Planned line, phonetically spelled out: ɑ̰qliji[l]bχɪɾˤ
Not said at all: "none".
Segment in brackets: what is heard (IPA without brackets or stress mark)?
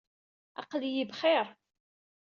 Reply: none